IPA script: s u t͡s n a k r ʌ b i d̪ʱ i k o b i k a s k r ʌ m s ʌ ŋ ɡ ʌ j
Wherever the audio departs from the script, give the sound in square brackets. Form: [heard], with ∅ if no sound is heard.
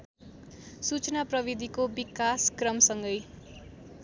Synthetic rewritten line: s u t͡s n a [p] r ʌ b i d̪ʱ i k o b i k a s k r ʌ m s ʌ ŋ ɡ ʌ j